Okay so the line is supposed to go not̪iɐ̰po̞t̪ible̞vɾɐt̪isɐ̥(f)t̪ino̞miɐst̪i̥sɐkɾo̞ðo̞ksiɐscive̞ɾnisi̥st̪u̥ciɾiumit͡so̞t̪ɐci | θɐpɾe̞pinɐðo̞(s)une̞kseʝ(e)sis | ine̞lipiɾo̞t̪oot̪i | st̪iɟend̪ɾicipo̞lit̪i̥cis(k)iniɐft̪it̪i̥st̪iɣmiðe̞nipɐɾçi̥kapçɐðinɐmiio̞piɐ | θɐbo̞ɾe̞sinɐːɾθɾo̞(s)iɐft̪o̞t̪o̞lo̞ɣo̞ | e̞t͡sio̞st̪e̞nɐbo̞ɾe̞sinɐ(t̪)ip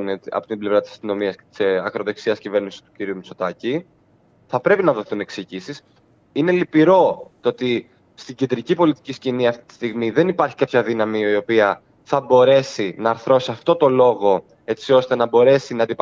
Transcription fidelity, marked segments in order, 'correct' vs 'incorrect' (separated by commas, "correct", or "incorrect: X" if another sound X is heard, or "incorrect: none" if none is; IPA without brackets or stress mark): incorrect: s, incorrect: θ, incorrect: i, incorrect: c, correct, incorrect: d̪